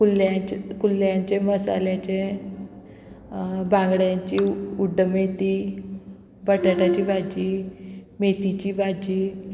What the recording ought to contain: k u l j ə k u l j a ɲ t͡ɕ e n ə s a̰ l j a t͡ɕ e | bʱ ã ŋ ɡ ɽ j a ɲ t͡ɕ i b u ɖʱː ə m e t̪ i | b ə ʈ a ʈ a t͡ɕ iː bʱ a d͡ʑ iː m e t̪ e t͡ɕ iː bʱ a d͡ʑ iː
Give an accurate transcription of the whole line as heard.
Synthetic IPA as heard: k u l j a k u l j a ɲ t͡ɕ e m ə s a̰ l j a t͡ɕ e | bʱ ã ŋ ɡ ɽ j a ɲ t͡ɕ i u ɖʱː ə m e t̪ i | b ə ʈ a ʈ a t͡ɕ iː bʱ a d͡ʑ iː m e t̪ i t͡ɕ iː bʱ a d͡ʑ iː